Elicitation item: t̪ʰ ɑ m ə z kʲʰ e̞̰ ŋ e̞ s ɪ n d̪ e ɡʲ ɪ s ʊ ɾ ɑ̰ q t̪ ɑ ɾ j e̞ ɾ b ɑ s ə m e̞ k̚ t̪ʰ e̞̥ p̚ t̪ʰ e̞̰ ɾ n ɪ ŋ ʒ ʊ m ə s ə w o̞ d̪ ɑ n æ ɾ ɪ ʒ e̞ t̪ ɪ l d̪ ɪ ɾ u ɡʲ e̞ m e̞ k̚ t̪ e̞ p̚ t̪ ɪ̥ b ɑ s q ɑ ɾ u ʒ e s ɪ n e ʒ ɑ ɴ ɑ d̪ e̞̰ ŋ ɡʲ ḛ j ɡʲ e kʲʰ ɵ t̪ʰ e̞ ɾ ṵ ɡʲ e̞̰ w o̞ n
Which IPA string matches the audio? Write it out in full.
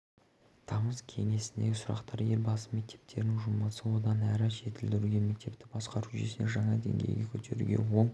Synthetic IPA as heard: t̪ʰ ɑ m ə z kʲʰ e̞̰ ŋ e̞ s ɪ n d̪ e ɡʲ ɪ s ʊ ɾ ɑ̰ q t̪ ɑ ɾ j e̞ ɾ b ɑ s ə m e̞ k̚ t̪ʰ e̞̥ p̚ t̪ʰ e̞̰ ɾ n ɪ ŋ ʒ ʊ m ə s ə w o̞ d̪ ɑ n æ ɾ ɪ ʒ e̞ t̪ ɪ l d̪ ɪ ɾ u ɡʲ e̞ m e̞ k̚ t̪ e̞ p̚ t̪ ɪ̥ b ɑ s q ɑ ɾ u ʒ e s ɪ n e ʒ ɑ ɴ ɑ d̪ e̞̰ ŋ ɡʲ ḛ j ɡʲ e kʲʰ ɵ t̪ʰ e̞ ɾ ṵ ɡʲ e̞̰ w o̞ ɴ